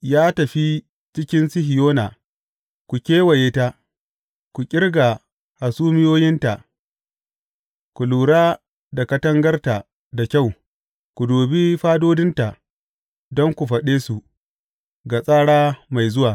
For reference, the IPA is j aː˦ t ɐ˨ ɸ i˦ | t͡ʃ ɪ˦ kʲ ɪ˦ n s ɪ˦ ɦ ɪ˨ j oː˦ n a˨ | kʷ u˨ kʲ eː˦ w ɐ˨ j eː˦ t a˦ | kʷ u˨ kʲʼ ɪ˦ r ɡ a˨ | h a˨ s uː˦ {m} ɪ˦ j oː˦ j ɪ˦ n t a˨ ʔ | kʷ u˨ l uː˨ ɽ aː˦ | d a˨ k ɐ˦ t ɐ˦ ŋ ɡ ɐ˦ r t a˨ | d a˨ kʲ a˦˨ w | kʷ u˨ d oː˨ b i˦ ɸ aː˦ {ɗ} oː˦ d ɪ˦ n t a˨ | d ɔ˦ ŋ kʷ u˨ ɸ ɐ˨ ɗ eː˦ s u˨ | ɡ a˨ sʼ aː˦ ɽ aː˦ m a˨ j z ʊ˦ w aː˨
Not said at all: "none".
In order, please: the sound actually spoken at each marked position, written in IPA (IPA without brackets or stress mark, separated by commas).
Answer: m, d